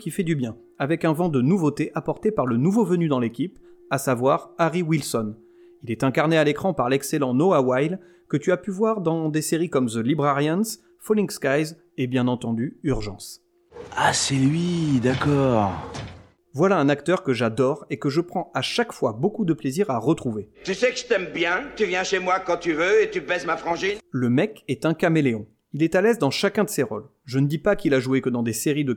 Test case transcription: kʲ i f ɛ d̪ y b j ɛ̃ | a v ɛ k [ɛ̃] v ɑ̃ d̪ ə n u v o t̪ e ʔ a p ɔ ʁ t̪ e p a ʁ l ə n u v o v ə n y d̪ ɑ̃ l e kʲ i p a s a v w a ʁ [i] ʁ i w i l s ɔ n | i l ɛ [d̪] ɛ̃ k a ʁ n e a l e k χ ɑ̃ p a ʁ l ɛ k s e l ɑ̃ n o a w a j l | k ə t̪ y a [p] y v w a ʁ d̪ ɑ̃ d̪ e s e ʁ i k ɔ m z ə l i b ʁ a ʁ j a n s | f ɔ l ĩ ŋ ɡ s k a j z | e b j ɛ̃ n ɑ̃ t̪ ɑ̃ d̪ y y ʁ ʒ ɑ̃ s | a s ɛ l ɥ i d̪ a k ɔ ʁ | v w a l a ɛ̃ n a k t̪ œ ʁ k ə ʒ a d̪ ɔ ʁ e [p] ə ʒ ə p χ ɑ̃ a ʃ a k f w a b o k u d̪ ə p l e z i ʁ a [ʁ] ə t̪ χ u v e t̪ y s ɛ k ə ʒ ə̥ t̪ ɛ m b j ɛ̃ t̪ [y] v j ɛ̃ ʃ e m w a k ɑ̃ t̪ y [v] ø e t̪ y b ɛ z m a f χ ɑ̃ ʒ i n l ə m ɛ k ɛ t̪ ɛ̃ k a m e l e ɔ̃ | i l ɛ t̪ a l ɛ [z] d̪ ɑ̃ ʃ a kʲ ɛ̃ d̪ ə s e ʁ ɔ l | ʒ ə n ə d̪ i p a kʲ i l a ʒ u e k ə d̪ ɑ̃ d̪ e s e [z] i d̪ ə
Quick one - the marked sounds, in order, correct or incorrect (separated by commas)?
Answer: correct, incorrect, incorrect, correct, incorrect, correct, correct, correct, correct, incorrect